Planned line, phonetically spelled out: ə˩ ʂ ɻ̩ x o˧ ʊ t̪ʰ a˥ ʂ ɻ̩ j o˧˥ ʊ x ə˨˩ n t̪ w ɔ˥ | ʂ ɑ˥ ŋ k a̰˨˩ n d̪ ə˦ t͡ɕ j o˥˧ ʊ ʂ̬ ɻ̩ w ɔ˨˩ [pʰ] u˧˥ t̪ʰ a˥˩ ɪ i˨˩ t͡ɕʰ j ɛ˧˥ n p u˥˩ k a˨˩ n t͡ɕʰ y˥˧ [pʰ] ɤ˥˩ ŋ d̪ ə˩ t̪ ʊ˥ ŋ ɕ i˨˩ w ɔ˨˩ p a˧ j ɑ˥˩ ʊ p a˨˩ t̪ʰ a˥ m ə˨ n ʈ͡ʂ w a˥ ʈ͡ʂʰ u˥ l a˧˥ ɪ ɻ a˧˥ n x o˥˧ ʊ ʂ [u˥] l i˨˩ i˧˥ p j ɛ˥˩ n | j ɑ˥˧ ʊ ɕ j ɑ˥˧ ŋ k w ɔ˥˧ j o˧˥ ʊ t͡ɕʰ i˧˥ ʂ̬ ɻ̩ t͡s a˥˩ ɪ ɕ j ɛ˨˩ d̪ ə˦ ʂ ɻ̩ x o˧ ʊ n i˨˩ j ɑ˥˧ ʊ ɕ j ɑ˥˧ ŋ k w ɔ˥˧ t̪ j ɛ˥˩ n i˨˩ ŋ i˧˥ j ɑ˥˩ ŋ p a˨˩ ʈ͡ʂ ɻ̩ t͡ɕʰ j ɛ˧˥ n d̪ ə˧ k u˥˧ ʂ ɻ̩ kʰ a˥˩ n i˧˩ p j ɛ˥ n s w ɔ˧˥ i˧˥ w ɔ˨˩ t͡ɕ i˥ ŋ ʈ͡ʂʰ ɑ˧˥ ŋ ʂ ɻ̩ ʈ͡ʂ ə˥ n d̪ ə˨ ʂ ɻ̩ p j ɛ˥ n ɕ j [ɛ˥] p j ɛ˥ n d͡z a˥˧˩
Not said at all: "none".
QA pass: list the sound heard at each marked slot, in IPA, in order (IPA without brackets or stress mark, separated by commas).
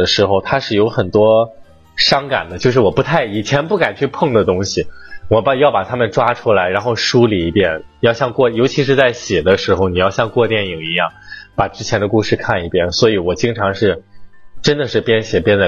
p, pʰ, u˥, ɛ˨˩